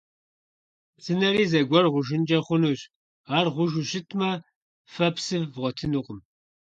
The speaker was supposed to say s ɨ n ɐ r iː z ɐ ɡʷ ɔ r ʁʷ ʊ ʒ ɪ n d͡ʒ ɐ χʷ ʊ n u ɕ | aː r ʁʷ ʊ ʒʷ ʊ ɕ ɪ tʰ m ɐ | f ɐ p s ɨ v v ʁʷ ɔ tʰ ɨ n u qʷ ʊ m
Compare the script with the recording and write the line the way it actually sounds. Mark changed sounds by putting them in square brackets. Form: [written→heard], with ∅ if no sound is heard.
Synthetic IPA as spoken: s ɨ n ɐ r iː z ɐ ɡʷ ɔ r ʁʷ ʊ ʒ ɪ n d͡ʒ ɐ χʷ ʊ n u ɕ | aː r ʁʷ ʊ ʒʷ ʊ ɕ ɪ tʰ m ɐ | f ɐ p s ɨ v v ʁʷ ɔ tʰ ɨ n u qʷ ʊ m

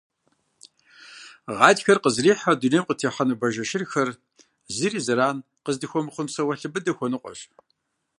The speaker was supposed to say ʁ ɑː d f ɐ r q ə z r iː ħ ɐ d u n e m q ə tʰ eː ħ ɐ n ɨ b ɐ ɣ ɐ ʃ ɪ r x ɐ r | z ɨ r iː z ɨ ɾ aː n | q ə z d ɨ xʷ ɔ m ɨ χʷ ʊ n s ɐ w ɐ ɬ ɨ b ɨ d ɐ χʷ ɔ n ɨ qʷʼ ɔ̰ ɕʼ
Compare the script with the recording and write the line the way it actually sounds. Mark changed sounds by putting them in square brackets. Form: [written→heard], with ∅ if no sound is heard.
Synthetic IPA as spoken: ʁ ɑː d [f→x] ɐ r q ə z r iː ħ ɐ d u n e m q ə tʰ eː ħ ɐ n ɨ b ɐ [ɣ→ʒ] ɐ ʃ ɪ r x ɐ r | z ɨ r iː z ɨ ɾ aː n | q ə z d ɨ xʷ ɔ m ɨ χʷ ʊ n s ɐ w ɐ ɬ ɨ b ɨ d ɐ [χʷ→xʷ] ɔ n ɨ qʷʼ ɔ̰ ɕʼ

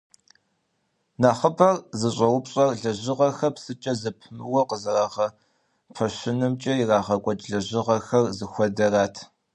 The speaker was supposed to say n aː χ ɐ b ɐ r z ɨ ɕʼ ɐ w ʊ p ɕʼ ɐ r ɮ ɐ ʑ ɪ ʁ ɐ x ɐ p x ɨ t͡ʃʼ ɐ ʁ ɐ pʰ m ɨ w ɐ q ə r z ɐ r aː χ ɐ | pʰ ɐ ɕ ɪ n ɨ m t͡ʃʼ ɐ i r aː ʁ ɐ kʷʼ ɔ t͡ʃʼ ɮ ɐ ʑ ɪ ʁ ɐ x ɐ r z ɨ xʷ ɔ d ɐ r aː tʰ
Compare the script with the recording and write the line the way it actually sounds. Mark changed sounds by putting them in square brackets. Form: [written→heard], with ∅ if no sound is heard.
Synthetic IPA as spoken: n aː χ [ɐ→ə] b ɐ r z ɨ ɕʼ ɐ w ʊ p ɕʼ ɐ r ɮ ɐ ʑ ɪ ʁ ɐ x ɐ p [x→s] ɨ t͡ʃʼ ɐ [ʁ→z] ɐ pʰ m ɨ w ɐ q ə [r→∅] z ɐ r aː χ ɐ | pʰ ɐ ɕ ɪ n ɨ m t͡ʃʼ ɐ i r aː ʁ ɐ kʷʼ ɔ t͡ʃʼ ɮ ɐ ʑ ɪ ʁ ɐ x ɐ r z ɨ xʷ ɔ d ɐ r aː tʰ

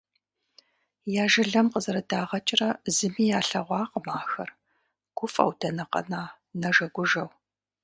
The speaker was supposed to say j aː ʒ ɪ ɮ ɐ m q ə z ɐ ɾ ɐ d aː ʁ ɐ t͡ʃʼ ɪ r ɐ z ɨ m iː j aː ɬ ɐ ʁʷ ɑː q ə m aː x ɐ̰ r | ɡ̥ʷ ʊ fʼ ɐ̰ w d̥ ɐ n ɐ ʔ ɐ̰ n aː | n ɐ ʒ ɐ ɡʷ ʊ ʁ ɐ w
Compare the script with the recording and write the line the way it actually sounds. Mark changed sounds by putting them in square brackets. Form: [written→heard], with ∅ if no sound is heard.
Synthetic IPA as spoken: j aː ʒ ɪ ɮ ɐ m q ə z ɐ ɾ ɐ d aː ʁ ɐ t͡ʃʼ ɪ r ɐ z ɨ m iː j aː ɬ ɐ ʁʷ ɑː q ə m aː x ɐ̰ r | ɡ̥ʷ ʊ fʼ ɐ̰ w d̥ ɐ n ɐ [ʔ→q] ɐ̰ n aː | n ɐ ʒ ɐ ɡʷ ʊ [ʁ→ʒ] ɐ w

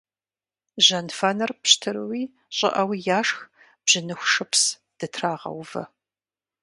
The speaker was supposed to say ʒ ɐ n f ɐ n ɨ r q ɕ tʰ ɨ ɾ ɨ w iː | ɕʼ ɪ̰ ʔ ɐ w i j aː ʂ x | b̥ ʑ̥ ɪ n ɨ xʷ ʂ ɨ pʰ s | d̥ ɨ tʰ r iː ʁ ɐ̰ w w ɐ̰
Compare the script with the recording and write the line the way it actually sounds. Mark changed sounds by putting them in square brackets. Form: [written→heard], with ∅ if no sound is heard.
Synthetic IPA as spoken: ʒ ɐ n f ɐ n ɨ r [q→p] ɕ tʰ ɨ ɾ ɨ w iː | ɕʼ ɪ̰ ʔ ɐ w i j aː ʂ x | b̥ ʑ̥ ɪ n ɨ xʷ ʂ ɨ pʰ s | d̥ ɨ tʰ r [iː→aː] ʁ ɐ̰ w [w→v] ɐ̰

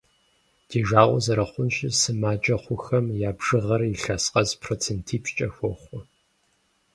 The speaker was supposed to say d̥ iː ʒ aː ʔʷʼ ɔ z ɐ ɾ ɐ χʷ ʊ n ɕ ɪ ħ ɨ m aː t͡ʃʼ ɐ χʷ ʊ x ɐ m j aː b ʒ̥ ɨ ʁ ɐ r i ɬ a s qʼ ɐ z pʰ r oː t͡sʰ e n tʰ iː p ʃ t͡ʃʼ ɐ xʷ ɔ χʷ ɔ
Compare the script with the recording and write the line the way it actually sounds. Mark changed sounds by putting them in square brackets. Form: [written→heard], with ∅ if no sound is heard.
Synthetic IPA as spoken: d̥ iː ʒ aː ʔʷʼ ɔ z ɐ ɾ ɐ χʷ ʊ n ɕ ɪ [ħ→s] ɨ m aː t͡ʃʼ ɐ χʷ ʊ x ɐ m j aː b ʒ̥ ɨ ʁ ɐ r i ɬ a s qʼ ɐ z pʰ r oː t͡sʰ e n tʰ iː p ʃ t͡ʃʼ ɐ xʷ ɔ χʷ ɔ

